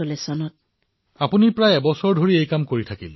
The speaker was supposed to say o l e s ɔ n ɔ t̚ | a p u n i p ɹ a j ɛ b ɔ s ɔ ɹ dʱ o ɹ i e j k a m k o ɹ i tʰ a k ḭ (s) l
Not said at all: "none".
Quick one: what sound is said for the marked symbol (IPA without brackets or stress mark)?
none